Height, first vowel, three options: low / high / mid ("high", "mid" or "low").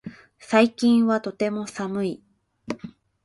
low